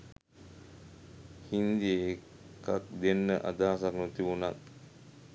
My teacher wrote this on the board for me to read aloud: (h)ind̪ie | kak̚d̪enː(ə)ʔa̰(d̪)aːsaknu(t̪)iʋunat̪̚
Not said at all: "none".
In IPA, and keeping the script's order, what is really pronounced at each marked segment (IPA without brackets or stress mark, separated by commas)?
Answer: h, ə, d̪, t̪